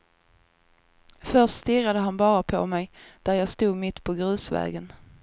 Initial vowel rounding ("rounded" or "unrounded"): rounded